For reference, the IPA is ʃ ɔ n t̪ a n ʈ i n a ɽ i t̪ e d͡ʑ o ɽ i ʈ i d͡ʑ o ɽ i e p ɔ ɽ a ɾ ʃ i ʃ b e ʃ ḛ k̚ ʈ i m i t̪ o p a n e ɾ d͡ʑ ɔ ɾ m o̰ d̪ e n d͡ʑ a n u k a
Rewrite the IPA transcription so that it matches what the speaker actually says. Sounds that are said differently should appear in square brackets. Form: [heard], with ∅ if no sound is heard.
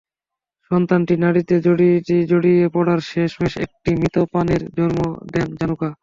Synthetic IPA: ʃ ɔ n t̪ a n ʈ i n a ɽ i t̪ e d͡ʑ o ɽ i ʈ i d͡ʑ o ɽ i e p ɔ ɽ a ɾ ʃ [e] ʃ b e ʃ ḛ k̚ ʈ i m i t̪ o p a n e ɾ d͡ʑ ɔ ɾ m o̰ d̪ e n d͡ʑ a n u k a